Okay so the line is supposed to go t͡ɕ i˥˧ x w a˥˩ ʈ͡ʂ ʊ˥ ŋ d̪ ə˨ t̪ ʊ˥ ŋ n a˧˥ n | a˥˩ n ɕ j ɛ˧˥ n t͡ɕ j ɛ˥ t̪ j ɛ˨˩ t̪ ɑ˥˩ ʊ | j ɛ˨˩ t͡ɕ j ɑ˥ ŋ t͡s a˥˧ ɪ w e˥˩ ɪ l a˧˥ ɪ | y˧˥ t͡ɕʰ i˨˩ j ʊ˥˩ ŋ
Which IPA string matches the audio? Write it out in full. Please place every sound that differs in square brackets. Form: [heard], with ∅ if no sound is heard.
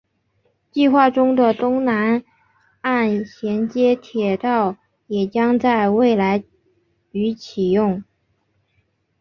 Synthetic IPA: t͡ɕ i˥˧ x w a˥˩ ʈ͡ʂ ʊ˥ ŋ d̪ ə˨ t̪ ʊ˥ ŋ n a˧˥ n | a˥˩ n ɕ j ɛ˧˥ n t͡ɕ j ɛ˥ [t̪ʰ] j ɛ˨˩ t̪ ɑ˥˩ ʊ | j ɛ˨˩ t͡ɕ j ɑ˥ ŋ t͡s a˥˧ ɪ w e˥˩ ɪ l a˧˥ ɪ | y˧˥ t͡ɕʰ i˨˩ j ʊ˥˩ ŋ